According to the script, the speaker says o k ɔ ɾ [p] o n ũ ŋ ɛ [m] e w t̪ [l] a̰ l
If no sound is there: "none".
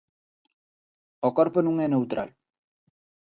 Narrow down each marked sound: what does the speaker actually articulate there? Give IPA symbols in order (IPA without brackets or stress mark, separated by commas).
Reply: p, n, ɾ